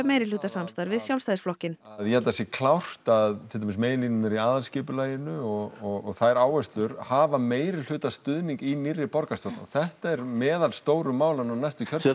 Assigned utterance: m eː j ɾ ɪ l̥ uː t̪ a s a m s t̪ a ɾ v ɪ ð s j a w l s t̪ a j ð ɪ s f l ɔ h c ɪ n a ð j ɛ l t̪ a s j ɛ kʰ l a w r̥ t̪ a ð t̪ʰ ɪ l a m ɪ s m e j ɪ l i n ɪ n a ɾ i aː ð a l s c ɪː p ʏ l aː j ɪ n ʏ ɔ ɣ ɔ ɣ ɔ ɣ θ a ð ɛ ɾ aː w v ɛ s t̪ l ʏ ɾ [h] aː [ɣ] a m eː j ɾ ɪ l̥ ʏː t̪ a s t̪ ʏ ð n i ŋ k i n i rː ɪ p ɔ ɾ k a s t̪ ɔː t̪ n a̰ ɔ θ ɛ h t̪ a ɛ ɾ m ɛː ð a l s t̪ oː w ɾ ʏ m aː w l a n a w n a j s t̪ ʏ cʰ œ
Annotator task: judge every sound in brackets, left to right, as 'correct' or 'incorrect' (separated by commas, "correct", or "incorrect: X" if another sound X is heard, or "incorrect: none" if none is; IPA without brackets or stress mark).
correct, incorrect: v